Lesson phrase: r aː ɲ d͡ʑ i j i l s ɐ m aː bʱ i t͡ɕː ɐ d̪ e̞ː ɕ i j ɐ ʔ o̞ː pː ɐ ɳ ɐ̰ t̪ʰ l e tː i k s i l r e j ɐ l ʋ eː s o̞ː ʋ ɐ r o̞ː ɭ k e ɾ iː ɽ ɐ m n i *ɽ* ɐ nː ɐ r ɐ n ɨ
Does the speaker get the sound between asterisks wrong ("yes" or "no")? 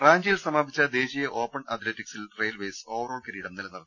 yes